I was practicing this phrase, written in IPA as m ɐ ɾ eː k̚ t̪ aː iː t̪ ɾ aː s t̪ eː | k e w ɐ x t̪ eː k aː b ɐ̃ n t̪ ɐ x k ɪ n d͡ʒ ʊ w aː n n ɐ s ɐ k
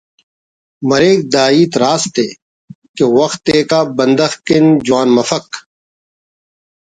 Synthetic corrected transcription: m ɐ ɾ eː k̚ d̪ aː iː t̪ ɾ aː s t̪ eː | k e w ɐ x t̪ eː k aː b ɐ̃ n d̪ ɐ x k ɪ n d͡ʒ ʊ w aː n m ɐ f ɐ k